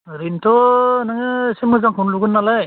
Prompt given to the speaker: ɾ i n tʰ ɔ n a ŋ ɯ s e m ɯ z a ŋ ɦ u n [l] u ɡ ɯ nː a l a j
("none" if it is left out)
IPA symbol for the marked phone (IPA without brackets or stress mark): l